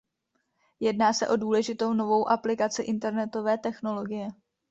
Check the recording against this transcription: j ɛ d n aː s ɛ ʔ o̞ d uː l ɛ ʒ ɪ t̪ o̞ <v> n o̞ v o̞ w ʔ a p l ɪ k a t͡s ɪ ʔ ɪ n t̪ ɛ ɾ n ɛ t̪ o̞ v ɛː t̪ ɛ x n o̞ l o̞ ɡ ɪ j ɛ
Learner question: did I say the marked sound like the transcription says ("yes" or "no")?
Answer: no